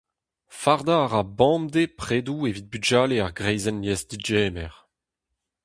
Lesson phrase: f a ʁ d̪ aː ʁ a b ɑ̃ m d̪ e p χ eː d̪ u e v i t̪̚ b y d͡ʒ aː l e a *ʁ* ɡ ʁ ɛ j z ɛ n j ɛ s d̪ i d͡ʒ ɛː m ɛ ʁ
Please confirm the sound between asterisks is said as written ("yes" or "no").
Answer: yes